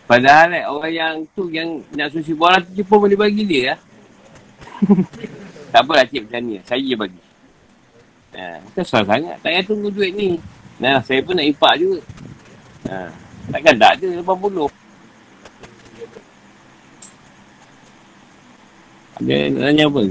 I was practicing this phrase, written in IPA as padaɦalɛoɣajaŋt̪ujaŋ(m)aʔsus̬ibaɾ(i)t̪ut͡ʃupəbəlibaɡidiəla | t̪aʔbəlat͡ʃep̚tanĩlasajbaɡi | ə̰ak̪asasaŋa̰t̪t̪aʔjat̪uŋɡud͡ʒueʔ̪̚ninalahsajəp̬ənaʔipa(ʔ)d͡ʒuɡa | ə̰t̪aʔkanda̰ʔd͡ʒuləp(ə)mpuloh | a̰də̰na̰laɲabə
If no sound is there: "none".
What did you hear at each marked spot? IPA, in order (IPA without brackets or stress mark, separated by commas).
n, a, ʔ, a